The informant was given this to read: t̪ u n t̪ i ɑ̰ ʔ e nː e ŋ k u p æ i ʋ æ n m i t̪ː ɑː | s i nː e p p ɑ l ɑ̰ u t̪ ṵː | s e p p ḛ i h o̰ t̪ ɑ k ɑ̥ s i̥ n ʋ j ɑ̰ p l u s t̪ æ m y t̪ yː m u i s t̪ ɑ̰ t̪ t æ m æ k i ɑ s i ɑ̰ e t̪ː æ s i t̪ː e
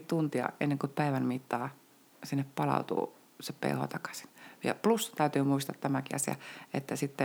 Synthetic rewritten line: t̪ u n t̪ i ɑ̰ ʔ e nː e ŋ k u p æ i ʋ æ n m i t̪ː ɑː | s i nː e p p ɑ l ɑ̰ u t̪ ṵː | s e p p ḛ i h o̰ t̪ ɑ k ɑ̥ s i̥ n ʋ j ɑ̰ p l u s t̪ æ y t̪ yː m u i s t̪ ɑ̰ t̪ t æ m æ k i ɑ s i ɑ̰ e t̪ː æ s i t̪ː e